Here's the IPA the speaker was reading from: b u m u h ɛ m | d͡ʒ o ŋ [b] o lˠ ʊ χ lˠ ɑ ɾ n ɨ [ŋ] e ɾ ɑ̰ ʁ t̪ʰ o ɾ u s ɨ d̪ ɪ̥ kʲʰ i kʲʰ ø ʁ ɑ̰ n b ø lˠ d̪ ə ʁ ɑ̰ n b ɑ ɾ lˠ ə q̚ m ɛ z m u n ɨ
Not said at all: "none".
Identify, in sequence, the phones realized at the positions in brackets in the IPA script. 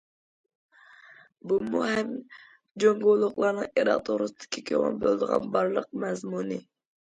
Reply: ɡ, ŋ

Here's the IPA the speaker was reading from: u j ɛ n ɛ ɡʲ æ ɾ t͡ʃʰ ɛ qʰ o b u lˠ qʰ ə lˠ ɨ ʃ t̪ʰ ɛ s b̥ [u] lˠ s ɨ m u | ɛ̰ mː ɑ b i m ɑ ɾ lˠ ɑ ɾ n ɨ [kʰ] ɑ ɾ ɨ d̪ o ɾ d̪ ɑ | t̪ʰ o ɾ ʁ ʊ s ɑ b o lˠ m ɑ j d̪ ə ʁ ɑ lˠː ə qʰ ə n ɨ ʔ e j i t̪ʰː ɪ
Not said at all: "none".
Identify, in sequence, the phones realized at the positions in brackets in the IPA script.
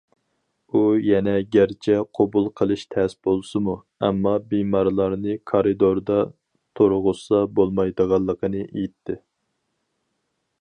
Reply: o, kʰ

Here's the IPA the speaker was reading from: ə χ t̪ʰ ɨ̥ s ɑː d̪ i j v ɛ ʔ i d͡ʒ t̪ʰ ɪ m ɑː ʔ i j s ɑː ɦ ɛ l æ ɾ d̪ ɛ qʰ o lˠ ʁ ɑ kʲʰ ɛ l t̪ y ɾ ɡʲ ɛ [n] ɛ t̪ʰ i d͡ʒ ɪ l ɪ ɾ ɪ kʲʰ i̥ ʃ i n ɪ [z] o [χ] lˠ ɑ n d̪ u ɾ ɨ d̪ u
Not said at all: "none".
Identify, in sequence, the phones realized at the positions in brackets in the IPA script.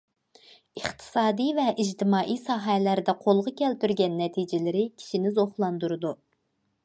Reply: nː, z, χ

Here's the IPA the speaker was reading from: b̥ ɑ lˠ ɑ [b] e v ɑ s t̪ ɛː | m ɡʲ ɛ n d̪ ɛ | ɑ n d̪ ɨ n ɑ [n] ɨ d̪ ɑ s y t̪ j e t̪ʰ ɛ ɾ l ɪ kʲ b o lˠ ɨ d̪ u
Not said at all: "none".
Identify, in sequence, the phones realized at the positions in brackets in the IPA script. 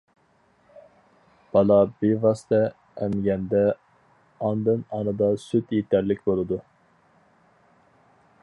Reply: b, n

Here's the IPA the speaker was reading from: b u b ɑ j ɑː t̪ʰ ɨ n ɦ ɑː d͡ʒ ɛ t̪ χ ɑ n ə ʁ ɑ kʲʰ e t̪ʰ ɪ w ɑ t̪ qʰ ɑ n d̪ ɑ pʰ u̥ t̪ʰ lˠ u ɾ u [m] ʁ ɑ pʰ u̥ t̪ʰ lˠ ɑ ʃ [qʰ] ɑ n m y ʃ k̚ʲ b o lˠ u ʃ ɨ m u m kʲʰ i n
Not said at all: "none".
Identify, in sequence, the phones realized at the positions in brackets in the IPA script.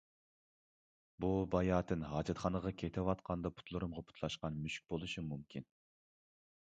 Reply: m, q

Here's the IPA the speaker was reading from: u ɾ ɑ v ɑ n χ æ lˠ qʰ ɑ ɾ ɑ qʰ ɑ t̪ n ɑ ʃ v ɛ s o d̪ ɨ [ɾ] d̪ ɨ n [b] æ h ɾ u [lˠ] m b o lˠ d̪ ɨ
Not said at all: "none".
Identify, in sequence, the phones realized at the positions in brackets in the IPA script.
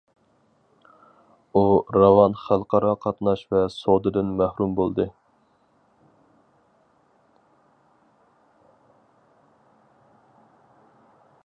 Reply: none, m, none

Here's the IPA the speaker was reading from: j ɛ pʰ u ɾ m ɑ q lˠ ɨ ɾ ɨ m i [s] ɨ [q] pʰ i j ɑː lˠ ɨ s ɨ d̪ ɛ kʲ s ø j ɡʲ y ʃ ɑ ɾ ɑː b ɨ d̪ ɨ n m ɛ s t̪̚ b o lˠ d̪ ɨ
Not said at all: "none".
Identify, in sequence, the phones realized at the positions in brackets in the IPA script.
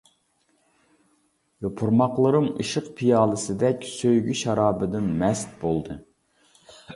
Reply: ʃ, q

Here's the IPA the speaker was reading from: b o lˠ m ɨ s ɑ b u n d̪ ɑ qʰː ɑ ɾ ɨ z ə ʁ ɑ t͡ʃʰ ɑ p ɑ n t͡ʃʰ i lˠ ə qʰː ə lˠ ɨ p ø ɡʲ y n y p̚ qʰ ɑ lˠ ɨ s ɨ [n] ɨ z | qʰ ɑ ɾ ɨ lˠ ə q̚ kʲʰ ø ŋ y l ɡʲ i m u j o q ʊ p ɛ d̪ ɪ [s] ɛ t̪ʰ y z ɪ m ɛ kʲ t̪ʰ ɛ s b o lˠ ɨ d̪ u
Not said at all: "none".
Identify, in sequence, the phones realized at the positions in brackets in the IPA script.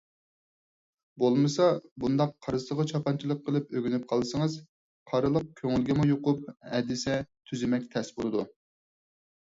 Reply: ŋ, s

